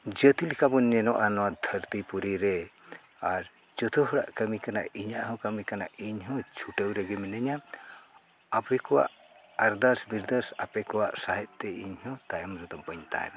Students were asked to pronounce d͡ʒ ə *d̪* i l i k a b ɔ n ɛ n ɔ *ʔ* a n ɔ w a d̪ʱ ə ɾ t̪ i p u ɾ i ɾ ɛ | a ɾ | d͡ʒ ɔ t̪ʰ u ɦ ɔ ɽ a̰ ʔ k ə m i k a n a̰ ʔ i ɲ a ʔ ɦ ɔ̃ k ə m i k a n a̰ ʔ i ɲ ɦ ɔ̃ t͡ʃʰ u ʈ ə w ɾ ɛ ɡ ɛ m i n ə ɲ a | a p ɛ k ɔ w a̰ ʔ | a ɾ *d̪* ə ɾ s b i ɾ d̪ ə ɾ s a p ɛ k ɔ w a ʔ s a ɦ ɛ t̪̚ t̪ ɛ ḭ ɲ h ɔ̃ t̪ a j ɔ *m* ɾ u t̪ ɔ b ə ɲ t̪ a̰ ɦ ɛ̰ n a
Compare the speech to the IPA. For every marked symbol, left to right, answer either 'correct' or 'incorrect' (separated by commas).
incorrect, correct, correct, correct